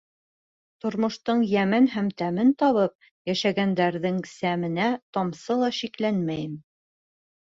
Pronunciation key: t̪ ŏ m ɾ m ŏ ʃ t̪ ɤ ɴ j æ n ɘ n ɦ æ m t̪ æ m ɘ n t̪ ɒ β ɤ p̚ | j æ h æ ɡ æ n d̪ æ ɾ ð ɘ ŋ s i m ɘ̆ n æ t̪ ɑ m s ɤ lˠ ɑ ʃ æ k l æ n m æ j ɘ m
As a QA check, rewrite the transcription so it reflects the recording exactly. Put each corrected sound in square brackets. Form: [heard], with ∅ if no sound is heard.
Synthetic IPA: t̪ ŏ [∅] ɾ m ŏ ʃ t̪ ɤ ɴ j æ [m] ɘ n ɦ æ m t̪ æ m ɘ n t̪ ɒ β ɤ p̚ | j æ [ʃ] æ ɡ æ n d̪ æ ɾ ð ɘ ŋ s [æ] m ɘ̆ n æ t̪ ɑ m s ɤ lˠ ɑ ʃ [i] k l æ n m æ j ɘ m